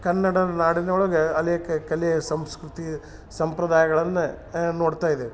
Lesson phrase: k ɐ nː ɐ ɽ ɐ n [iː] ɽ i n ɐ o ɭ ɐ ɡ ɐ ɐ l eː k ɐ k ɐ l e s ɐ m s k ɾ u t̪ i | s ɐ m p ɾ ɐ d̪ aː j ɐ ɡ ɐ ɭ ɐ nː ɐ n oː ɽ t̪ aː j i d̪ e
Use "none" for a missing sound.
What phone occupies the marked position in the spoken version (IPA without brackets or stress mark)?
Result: aː